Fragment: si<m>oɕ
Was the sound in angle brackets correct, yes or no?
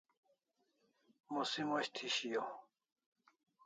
yes